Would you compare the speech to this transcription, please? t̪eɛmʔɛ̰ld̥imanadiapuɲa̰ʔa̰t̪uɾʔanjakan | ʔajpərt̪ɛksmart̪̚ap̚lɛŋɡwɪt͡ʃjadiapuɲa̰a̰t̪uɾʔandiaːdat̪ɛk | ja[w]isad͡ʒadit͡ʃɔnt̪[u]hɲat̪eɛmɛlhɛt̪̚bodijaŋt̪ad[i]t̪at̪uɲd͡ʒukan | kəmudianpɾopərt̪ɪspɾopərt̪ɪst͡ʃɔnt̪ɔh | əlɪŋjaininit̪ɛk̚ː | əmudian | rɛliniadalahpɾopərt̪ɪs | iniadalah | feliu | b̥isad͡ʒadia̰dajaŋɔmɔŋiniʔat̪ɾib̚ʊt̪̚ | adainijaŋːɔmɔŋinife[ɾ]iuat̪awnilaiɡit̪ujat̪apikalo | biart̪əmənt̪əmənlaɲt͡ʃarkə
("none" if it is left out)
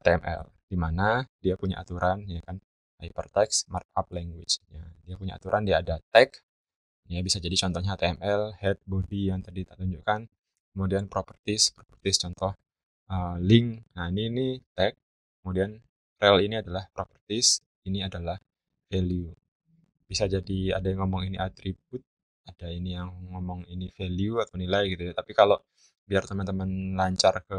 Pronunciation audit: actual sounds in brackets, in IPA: b, ɔ, i, l

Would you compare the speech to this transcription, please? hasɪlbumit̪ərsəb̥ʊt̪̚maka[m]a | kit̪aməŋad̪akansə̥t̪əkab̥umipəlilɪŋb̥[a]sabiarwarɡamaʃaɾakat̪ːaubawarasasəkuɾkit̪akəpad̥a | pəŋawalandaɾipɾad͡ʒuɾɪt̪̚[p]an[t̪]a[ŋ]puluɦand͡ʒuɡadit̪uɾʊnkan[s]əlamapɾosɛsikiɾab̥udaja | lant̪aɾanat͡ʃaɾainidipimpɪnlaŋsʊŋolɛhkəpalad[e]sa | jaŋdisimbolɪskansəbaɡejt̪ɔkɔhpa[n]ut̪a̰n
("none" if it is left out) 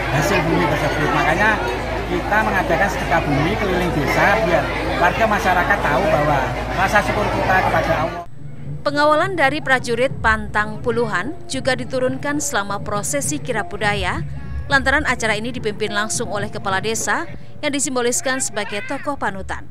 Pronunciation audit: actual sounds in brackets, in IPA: ɲ, e, p, t̪, ŋ, s, e, n

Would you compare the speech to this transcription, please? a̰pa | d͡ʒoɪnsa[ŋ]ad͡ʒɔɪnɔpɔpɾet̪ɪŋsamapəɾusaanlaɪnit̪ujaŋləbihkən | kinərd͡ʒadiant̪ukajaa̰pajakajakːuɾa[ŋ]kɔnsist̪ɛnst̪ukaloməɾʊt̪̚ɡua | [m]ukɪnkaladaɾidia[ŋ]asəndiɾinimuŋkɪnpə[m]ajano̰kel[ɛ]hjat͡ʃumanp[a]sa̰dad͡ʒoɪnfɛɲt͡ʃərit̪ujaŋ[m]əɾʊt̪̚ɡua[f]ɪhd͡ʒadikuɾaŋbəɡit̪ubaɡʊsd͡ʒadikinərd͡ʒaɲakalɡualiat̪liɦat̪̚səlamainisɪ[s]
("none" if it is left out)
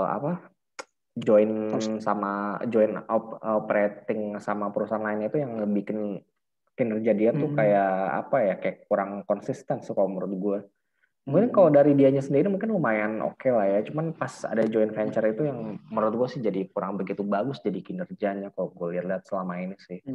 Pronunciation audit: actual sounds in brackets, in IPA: m, ŋ, m, ɲ, m, a, a, m, s, h

